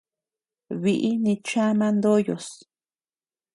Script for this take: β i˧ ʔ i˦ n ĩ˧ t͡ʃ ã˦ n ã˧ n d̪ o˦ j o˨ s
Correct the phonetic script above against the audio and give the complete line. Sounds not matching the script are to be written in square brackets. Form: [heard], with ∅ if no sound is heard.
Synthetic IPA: β i˧ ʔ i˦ n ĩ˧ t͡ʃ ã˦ [m] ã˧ n d̪ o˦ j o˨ s